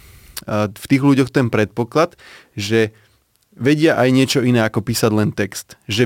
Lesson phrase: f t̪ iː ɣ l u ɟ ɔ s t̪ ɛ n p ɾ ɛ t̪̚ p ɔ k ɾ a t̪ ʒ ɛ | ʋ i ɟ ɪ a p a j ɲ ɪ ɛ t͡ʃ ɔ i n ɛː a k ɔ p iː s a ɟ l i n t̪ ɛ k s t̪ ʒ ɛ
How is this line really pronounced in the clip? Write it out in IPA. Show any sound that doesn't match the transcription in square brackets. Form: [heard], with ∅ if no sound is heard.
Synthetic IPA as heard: f t̪ iː ɣ l u ɟ ɔ [x] t̪ ɛ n p ɾ ɛ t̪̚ p ɔ k [l] a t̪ ʒ ɛ | ʋ [ɛ] ɟ ɪ a [ʔ] a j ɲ ɪ ɛ t͡ʃ ɔ i n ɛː a k ɔ p iː s a ɟ l [ɛ] n t̪ ɛ k s t̪ ʒ ɛ